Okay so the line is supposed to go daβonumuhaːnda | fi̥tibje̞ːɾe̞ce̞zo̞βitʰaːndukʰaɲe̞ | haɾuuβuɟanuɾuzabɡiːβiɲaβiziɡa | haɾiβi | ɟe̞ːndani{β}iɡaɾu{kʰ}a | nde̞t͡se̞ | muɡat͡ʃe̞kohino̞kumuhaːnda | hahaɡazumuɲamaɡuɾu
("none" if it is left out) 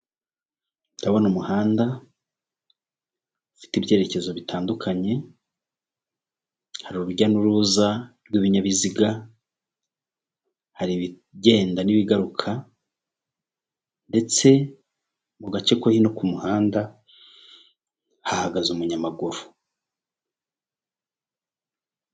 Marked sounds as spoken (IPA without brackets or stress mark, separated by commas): β, kʰ